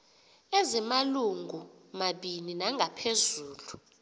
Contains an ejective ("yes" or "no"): no